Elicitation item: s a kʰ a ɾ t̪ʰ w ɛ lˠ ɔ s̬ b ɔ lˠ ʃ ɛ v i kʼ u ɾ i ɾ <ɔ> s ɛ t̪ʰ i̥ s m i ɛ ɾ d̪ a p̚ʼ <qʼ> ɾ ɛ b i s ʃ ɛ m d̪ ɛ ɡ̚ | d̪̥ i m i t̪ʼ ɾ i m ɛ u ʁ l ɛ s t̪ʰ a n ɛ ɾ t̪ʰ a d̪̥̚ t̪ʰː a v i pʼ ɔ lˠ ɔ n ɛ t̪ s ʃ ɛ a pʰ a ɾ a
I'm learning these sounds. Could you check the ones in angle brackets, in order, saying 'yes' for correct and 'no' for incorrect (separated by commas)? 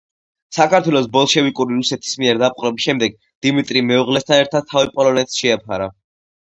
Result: no, yes